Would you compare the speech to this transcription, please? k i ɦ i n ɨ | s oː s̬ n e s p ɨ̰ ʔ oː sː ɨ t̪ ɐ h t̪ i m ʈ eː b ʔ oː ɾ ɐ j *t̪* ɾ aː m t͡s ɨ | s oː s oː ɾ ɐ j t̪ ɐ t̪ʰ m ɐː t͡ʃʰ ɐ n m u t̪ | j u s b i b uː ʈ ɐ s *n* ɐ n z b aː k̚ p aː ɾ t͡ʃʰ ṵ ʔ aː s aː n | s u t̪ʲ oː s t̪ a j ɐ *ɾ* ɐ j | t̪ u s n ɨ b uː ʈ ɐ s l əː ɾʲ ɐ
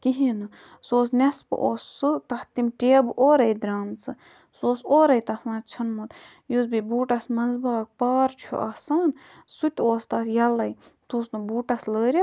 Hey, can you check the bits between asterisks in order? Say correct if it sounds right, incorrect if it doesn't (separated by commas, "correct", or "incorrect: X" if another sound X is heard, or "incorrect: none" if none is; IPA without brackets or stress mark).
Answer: incorrect: d̪, incorrect: m, incorrect: l